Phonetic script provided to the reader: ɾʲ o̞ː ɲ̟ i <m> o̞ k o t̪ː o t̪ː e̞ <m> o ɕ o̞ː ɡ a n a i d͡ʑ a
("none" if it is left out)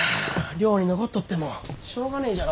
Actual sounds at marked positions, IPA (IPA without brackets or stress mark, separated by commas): n, m